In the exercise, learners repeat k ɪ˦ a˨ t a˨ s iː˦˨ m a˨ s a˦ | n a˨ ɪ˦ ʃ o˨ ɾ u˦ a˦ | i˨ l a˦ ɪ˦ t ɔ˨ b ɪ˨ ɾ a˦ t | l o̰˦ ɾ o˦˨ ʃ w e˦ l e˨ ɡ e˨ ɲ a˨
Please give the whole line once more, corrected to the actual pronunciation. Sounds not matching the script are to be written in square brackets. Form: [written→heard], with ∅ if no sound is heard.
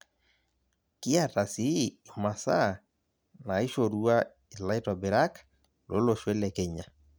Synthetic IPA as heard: k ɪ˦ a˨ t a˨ s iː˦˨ m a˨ s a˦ | n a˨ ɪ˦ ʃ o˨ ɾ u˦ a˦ | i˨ l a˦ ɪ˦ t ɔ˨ b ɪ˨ ɾ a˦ [t→k] | l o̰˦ [ɾ→l] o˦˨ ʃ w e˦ l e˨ [ɡ→k] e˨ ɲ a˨